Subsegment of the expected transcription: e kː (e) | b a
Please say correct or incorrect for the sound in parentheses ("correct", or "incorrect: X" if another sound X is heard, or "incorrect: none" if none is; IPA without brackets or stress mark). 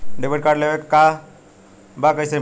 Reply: incorrect: a